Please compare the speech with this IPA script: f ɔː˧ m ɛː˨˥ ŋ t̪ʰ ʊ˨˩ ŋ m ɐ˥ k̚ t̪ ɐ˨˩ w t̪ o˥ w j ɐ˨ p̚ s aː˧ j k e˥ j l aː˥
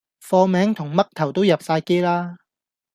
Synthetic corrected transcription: f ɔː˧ m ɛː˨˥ ŋ t̪ʰ ʊ˨˩ ŋ m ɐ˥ k̚ t̪ʰ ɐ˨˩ w t̪ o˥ w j ɐ˨ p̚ s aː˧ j k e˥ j l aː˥